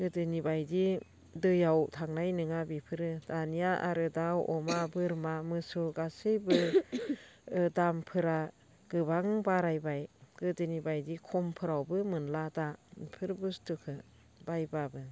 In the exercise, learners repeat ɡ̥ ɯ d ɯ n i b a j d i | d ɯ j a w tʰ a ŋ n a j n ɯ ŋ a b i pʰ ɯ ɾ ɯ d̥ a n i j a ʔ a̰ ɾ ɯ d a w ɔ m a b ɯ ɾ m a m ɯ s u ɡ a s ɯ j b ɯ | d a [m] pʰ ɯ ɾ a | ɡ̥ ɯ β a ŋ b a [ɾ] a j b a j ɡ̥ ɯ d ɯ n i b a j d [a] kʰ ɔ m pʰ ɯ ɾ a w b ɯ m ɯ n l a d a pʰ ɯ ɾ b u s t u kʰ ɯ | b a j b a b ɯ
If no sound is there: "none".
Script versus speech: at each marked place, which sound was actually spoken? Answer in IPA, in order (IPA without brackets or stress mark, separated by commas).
m, ɾ, i